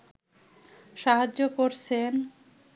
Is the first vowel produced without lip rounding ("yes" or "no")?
yes